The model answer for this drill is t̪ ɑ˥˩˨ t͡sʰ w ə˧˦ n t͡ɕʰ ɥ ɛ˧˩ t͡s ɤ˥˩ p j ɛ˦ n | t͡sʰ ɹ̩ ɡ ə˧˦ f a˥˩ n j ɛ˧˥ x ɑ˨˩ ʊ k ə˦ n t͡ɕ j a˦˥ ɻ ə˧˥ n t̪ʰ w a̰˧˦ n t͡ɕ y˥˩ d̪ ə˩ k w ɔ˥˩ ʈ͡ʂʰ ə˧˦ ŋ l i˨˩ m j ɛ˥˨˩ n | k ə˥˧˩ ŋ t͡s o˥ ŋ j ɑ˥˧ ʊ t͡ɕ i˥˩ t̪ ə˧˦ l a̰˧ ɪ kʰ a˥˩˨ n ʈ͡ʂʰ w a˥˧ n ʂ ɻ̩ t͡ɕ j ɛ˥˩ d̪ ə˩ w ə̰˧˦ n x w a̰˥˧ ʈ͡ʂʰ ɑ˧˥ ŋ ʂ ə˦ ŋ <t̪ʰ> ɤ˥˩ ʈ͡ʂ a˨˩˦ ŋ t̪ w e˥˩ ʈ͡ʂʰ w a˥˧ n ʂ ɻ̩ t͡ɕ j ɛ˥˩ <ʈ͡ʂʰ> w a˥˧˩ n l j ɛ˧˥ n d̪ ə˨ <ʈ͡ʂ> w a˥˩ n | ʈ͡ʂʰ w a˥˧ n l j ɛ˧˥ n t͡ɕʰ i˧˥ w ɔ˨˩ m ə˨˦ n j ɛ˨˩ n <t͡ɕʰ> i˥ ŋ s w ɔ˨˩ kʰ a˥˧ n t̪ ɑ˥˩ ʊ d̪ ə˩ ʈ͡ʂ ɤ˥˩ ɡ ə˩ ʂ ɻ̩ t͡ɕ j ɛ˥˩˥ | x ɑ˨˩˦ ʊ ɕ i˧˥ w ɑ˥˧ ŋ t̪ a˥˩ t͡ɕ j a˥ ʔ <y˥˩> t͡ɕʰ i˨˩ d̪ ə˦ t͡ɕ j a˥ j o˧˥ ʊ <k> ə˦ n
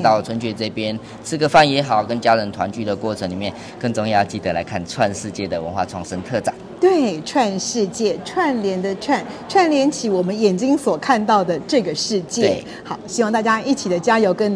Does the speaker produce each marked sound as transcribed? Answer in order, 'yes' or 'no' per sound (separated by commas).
yes, yes, no, no, no, yes